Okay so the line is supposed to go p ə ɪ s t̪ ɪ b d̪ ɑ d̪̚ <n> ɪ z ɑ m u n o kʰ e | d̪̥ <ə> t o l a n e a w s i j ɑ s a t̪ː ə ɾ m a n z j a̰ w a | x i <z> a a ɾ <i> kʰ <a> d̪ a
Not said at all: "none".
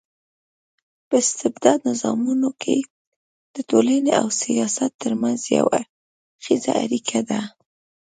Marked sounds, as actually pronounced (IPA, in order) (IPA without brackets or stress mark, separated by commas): n, ə, z, i, a